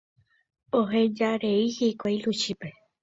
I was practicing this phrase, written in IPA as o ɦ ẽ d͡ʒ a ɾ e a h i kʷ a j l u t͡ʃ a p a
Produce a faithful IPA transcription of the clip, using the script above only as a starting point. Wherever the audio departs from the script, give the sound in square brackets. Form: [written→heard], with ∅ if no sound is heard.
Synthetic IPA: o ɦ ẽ d͡ʒ a ɾ e [a→i] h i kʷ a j l u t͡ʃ [a→i] p [a→e]